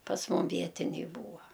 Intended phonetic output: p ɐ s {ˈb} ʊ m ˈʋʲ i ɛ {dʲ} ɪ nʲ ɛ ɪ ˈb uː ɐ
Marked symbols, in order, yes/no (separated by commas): no, no